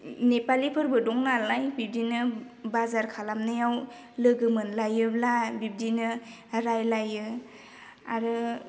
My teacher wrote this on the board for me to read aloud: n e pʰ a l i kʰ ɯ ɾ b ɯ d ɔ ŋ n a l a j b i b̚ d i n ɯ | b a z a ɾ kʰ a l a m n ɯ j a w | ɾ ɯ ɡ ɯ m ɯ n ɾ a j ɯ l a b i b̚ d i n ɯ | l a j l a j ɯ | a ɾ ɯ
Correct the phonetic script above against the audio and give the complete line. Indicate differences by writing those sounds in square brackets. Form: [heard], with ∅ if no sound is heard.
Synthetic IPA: n e [p] a l i [pʰ] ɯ ɾ b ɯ d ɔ ŋ n a l a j b i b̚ d i n ɯ | b a z a ɾ kʰ a l a m n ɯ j a w | [l] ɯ ɡ ɯ m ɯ n [l] a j ɯ l a b i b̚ d i n ɯ | [ɾ] a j l a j ɯ | a ɾ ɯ